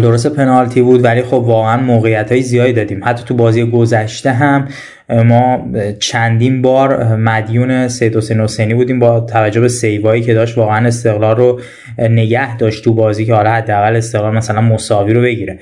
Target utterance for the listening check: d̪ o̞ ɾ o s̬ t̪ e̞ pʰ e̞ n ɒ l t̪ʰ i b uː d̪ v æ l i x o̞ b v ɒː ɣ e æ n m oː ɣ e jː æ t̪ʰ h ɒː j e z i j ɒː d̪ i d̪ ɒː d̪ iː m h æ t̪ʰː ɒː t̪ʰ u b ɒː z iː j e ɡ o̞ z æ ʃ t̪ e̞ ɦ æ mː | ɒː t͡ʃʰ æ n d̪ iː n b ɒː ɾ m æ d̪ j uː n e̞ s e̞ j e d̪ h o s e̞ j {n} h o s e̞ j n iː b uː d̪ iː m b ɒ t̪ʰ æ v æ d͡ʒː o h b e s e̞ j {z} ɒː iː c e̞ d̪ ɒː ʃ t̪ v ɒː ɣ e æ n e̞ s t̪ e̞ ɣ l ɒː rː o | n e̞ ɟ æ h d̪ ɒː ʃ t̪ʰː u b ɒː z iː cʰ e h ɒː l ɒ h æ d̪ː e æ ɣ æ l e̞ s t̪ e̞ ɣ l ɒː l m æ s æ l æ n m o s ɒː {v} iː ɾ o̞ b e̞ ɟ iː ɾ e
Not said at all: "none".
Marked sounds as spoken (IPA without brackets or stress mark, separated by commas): n, v, v